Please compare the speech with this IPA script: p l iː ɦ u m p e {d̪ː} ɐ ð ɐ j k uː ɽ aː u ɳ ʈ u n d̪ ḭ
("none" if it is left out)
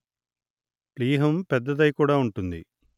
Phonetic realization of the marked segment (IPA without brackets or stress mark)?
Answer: d̪ː